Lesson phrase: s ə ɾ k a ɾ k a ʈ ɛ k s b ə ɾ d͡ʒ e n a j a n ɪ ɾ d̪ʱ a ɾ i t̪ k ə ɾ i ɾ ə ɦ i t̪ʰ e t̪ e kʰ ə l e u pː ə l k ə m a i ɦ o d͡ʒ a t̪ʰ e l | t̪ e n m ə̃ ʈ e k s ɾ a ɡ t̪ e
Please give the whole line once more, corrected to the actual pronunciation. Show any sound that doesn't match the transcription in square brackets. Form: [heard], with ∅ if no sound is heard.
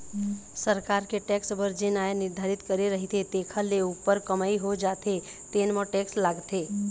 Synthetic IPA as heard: s ə ɾ k a ɾ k [e] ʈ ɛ k s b ə ɾ d͡ʒ e n a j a n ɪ ɾ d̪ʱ a ɾ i t̪ k ə ɾ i ɾ ə ɦ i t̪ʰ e t̪ e kʰ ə l e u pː ə [ɾ] k ə m a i ɦ o d͡ʒ a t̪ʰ e [∅] | t̪ e n m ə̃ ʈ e k s [l] a ɡ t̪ e